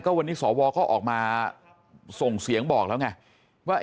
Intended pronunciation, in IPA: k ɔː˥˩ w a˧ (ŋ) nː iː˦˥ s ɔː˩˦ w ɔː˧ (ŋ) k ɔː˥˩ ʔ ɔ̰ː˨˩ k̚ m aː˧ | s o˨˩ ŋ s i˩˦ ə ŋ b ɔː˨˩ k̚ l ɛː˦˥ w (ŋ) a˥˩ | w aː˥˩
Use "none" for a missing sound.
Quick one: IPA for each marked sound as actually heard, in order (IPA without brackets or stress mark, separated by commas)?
none, none, ŋ